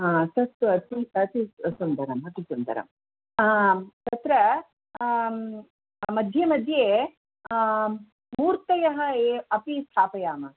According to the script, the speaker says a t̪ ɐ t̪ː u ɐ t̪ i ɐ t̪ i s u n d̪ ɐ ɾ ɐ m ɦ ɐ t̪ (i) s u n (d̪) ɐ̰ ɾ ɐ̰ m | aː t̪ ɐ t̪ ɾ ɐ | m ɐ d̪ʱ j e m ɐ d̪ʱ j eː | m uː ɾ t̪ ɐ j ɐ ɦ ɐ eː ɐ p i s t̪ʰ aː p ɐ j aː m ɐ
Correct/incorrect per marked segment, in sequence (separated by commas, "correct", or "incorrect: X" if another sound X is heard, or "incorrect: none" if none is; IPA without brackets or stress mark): correct, correct